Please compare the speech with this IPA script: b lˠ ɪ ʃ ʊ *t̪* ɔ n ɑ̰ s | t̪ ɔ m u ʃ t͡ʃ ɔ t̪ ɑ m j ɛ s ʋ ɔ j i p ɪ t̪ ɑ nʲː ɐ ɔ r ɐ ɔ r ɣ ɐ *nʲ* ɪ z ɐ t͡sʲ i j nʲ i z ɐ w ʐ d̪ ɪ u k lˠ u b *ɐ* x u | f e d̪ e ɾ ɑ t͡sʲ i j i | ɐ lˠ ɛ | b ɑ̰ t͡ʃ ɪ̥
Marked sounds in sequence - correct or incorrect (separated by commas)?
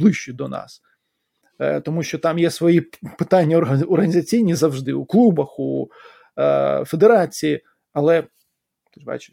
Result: incorrect, correct, correct